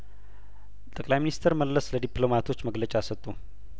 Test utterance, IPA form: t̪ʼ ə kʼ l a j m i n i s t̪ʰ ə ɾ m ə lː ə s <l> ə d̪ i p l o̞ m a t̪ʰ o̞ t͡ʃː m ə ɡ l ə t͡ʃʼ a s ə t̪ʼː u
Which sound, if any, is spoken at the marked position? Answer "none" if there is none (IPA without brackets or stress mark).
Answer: l